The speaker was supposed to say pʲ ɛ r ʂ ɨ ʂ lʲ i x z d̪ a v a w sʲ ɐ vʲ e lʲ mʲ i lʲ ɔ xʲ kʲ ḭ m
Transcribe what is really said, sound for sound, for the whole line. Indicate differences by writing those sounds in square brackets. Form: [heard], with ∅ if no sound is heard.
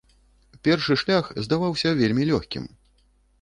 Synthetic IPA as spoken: pʲ ɛ r ʂ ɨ ʂ lʲ [a] x z d̪ a v a w sʲ ɐ vʲ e lʲ mʲ i lʲ ɔ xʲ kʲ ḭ m